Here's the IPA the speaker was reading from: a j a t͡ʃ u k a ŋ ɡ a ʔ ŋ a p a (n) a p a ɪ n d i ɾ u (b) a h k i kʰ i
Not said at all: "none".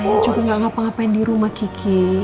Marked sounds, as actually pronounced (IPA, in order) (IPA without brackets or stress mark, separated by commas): ŋ, m